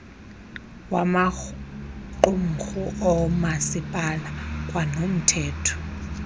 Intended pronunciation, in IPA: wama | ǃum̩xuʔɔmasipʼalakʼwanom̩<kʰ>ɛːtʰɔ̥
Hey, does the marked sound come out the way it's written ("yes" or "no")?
no